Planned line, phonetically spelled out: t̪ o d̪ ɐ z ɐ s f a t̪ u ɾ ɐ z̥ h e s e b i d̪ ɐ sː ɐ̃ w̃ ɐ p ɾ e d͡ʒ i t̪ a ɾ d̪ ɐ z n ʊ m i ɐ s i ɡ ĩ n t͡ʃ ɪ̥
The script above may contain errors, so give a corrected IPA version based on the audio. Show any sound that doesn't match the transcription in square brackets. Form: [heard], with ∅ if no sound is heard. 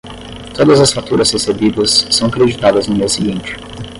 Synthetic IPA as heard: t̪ o d̪ ɐ z ɐ s f a t̪ u ɾ ɐ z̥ h e s e b i d̪ ɐ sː ɐ̃ w̃ ɐ [k] ɾ e d͡ʒ i t̪ a [∅] d̪ ɐ z n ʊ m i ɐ s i ɡ ĩ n t͡ʃ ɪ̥